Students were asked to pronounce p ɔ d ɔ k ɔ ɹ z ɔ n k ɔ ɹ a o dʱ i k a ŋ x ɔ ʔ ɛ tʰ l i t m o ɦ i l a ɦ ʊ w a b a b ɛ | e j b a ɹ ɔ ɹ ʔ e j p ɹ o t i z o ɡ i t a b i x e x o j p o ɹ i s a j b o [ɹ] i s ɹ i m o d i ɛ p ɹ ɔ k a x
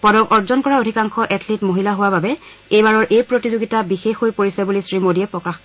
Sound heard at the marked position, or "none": l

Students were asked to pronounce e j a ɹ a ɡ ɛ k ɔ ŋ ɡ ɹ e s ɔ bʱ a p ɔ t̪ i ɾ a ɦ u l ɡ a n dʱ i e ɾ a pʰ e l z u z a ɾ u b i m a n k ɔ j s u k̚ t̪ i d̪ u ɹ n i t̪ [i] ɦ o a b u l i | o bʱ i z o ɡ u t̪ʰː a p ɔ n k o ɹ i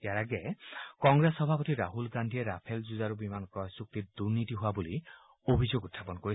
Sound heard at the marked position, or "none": i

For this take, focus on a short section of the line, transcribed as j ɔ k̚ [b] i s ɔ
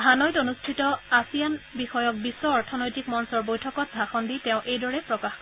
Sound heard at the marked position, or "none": b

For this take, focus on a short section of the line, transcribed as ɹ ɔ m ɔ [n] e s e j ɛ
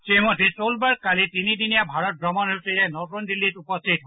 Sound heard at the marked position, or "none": n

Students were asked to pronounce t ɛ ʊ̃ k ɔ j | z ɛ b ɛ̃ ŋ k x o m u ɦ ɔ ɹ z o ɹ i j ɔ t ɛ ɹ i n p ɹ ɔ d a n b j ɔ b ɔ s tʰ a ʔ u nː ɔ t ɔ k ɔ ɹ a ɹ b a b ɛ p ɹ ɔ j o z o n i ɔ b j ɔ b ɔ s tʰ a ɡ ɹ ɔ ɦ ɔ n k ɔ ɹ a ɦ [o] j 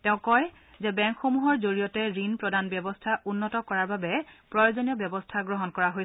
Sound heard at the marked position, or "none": o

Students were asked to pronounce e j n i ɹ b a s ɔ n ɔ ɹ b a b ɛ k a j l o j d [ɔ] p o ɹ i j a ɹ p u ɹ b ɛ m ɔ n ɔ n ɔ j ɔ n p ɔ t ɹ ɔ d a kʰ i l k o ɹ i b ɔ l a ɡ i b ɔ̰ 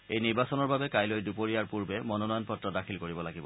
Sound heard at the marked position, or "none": u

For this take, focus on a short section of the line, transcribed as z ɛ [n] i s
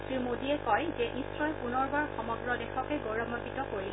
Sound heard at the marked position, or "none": n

